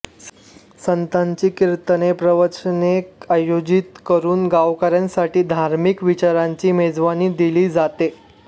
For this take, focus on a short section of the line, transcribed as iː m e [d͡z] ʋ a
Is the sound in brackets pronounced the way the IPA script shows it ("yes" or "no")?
yes